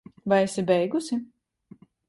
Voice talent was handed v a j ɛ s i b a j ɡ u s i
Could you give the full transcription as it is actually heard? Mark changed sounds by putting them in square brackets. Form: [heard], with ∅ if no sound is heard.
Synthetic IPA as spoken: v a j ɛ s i b [ɛ] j ɡ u s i